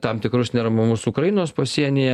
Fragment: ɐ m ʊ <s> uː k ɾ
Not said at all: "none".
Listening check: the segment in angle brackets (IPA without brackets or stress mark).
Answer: s